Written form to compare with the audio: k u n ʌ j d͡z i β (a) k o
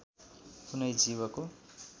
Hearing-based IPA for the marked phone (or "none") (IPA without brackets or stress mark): ʌ